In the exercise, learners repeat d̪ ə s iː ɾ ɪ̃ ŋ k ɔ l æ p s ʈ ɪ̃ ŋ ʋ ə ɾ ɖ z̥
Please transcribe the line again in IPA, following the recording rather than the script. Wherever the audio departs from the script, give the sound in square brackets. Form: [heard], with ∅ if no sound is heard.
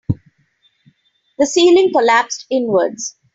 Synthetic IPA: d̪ ə s iː [l] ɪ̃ ŋ k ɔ l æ p s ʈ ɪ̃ [n] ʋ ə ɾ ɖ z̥